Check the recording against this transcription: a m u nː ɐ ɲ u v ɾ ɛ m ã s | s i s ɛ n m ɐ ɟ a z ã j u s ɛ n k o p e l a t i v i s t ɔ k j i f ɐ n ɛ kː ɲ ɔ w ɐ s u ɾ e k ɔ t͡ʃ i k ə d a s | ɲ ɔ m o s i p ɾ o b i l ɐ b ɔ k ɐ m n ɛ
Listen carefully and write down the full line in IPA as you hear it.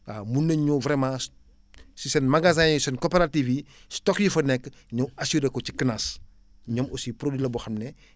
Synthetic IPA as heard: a m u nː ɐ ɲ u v ɾ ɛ m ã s | s i s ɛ n m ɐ ɡ a z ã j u s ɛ n k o p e ɾ a t i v i s t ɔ k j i f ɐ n ɛ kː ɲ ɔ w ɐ s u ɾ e k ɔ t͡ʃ i k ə n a s | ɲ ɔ m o s i p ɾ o d i l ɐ b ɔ x ɐ m n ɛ